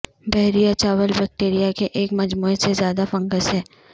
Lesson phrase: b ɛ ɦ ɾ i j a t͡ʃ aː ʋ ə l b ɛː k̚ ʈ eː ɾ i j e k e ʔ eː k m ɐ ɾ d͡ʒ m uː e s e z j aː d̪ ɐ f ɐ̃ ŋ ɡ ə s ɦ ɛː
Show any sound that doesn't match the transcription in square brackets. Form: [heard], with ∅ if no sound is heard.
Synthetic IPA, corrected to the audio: b ɛ ɦ ɾ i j a t͡ʃ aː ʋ ə l b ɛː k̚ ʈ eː ɾ i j [a] k e ʔ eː k m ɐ [∅] d͡ʒ m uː e s e z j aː d̪ [a] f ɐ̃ ŋ ɡ ə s ɦ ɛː